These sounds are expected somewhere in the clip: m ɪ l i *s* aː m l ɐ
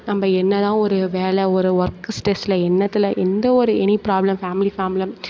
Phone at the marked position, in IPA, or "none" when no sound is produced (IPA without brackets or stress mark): f